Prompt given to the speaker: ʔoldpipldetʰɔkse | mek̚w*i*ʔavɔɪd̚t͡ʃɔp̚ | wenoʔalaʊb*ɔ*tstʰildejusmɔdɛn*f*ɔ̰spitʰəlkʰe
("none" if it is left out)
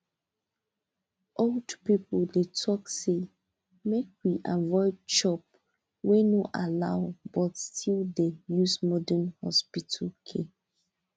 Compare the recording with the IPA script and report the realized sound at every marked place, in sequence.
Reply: i, ɔ, h

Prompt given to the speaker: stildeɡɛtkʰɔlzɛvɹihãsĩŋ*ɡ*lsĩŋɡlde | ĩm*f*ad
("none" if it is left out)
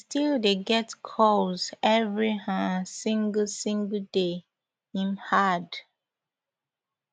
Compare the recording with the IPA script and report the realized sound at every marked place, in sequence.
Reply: ɡ, h

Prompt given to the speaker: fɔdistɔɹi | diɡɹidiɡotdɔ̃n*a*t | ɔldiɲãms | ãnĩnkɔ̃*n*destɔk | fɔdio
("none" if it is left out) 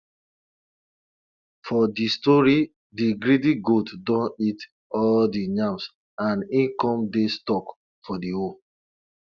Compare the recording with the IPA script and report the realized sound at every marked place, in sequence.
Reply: i, m

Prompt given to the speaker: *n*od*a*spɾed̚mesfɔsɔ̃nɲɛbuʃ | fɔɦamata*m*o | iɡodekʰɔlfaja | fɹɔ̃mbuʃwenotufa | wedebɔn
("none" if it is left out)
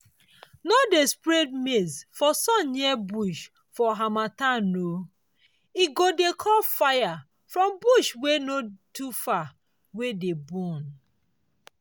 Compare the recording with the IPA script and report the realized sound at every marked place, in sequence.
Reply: n, e, n

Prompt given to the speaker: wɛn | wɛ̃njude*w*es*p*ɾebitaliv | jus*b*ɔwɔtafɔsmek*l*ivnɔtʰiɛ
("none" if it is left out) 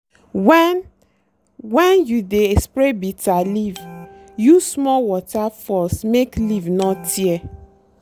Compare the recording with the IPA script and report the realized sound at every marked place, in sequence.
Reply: none, p, m, l

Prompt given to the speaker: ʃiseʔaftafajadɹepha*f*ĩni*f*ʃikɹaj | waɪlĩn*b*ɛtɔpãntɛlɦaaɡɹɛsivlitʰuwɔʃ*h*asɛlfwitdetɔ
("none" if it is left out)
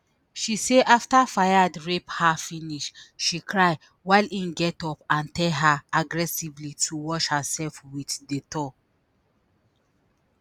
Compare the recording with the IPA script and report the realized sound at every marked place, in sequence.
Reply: f, ʃ, ɡ, h

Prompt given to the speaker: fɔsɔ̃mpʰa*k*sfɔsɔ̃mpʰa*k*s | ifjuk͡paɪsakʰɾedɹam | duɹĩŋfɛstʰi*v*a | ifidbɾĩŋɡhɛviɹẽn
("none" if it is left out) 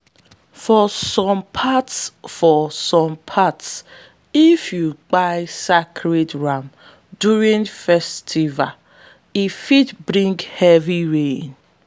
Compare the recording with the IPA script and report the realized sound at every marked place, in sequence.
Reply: t, t, v

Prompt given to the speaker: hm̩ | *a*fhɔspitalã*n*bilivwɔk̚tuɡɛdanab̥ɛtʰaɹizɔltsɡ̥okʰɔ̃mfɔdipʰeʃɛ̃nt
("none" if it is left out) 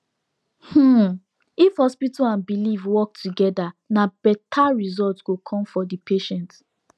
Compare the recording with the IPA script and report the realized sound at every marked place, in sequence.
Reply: i, n

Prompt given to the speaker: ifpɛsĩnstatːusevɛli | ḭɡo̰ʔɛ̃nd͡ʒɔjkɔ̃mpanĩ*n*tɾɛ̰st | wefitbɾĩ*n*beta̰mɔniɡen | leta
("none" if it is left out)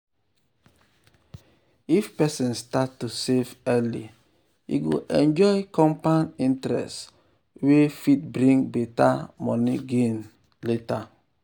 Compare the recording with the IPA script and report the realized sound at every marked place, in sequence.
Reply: n, ŋ

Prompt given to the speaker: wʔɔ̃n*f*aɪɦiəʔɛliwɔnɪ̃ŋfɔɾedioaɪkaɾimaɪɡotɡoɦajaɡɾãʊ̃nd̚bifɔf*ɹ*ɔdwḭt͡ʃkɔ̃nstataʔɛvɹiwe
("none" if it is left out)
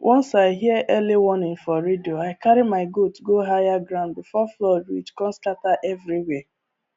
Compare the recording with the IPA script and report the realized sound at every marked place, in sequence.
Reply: s, l

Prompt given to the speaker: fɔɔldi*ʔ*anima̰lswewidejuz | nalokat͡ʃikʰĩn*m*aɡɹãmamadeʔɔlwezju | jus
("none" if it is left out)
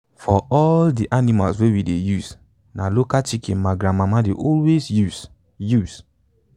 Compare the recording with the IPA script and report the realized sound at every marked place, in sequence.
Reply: ʔ, m

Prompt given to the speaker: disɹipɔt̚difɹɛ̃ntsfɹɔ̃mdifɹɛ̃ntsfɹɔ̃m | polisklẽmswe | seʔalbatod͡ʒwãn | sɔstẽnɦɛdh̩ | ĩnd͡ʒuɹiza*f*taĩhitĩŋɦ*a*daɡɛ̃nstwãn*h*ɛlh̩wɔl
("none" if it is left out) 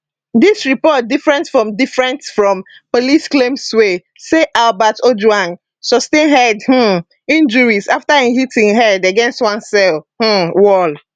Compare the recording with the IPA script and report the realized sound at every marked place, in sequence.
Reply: f, ɛ, s

